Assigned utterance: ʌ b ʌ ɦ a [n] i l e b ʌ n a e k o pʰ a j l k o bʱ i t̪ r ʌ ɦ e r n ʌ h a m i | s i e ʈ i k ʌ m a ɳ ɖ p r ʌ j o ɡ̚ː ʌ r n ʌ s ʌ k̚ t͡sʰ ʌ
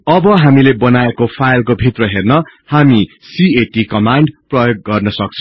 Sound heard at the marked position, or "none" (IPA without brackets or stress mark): m